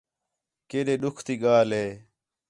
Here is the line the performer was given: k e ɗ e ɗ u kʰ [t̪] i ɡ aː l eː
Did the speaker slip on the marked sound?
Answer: no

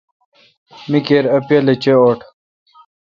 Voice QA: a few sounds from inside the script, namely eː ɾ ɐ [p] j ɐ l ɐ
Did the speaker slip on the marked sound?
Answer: no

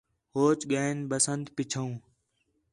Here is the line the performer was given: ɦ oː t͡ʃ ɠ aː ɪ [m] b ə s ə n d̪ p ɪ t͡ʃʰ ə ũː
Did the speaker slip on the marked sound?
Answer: yes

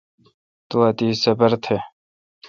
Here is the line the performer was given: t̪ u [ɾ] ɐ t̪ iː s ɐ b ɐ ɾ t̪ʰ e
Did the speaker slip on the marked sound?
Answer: yes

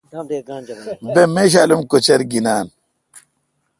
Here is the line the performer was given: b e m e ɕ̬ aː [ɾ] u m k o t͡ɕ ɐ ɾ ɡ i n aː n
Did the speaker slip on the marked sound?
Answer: yes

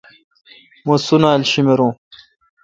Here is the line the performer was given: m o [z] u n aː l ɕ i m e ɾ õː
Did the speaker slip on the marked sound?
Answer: yes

